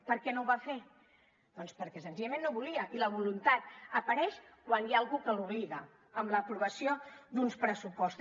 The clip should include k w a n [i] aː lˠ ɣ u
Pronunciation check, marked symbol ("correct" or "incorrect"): incorrect